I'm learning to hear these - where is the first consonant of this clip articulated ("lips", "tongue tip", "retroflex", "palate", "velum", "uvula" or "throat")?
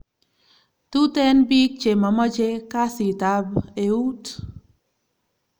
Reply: tongue tip